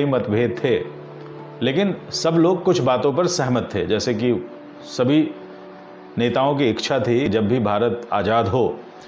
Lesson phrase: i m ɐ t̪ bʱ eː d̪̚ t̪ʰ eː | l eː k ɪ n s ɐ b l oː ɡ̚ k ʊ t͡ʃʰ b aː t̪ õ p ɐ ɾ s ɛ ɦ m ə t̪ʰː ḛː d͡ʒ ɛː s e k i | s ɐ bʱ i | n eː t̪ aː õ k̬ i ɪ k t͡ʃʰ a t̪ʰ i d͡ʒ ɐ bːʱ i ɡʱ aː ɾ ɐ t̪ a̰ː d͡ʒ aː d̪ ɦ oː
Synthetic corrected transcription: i m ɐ t̪ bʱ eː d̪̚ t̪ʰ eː | l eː k ɪ n s ɐ b l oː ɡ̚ k ʊ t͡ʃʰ b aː t̪ õ p ɐ ɾ s ɛ ɦ m ə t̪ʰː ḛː d͡ʒ ɛː s e k i | s ɐ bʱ i | n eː t̪ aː õ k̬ i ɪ k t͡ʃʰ a t̪ʰ i d͡ʒ ɐ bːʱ i bʱ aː ɾ ə t̪ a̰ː d͡ʒ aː d̪ ɦ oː